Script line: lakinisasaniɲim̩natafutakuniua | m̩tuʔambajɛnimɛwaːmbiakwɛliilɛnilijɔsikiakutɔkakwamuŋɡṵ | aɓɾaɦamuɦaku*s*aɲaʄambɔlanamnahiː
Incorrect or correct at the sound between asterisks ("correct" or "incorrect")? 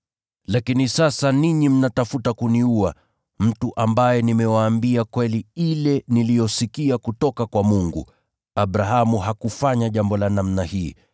incorrect